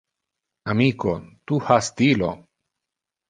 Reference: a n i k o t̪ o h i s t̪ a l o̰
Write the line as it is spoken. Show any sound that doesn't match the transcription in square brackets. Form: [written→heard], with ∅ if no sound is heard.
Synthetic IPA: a [n→m] i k o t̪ [o→u] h [i→a] s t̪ [a→i] l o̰